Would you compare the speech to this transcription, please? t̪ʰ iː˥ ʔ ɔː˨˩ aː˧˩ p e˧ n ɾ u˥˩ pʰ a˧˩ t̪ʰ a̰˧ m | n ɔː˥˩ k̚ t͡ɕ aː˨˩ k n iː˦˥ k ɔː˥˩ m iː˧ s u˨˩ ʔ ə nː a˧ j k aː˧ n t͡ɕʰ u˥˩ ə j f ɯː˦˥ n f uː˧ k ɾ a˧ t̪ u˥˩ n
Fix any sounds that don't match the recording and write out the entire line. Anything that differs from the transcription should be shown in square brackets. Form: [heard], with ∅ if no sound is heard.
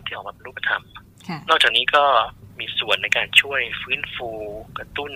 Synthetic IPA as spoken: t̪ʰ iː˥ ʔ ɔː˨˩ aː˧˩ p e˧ n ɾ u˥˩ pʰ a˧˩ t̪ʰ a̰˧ m | n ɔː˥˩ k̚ t͡ɕ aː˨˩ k n iː˦˥ k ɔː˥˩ m iː˧ s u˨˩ [∅] ə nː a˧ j k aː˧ n t͡ɕʰ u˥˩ ə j f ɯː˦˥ n f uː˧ k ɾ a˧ t̪ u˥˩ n